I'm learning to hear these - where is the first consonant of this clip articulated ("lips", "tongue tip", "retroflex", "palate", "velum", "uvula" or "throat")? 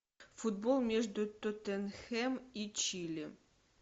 lips